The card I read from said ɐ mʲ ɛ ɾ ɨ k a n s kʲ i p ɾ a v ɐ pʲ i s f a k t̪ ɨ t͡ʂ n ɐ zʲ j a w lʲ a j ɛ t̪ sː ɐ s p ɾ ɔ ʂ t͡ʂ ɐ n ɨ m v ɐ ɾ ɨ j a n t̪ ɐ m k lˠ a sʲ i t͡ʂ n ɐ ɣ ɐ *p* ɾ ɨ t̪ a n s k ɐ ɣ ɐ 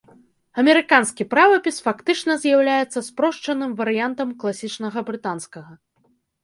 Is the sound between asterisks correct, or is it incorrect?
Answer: incorrect